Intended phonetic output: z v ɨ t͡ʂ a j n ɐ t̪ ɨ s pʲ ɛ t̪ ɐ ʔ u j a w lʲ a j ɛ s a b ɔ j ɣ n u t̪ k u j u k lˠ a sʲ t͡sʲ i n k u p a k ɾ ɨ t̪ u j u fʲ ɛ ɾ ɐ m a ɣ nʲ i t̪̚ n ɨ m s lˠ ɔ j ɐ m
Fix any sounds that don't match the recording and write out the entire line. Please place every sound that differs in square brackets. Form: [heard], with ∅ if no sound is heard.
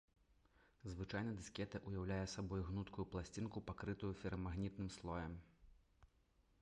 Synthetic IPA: z v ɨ t͡ʂ a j n ɐ [d̪] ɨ s [kʲ] ɛ t̪ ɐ ʔ u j a w lʲ a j ɛ s a b ɔ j ɣ n u t̪ k u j u [p] lˠ a sʲ t͡sʲ i n k u p a k ɾ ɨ t̪ u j u fʲ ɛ ɾ ɐ m a ɣ nʲ i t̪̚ n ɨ m s lˠ ɔ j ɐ m